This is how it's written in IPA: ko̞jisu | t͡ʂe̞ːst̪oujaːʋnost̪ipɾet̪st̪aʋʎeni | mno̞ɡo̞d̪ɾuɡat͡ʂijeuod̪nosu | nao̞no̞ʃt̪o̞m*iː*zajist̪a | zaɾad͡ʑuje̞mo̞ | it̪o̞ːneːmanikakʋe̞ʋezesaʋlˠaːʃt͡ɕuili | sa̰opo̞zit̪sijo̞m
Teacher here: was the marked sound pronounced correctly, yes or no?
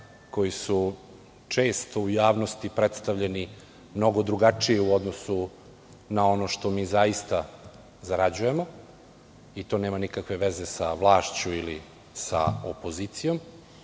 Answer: yes